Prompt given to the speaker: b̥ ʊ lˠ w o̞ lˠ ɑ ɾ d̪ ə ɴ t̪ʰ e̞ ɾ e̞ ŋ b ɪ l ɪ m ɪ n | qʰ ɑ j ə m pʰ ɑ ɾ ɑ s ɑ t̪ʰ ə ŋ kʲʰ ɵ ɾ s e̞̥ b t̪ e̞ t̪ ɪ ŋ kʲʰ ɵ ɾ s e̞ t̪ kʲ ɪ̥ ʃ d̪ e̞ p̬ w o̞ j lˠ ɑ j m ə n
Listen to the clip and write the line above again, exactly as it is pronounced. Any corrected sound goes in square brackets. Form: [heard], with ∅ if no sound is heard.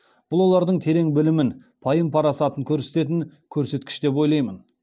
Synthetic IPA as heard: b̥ ʊ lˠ w o̞ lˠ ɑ ɾ d̪ ə ɴ t̪ʰ e̞ ɾ e̞ ŋ b ɪ l ɪ m ɪ n | [pʰ] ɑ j ə m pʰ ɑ ɾ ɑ s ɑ [t̪] ə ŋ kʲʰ ɵ ɾ s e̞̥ [∅] t̪ e̞ t̪ ɪ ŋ kʲʰ ɵ ɾ s e̞ t̪ kʲ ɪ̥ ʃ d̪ e̞ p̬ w o̞ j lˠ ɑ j m ə n